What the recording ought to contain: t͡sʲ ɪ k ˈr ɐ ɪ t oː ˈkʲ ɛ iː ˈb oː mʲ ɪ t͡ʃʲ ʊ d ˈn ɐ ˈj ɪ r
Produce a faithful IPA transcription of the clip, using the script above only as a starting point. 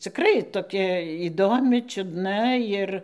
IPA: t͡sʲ ɪ k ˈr ɐ ɪ t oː ˈkʲ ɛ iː ˈd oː mʲ ɪ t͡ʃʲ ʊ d ˈn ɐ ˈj ɪ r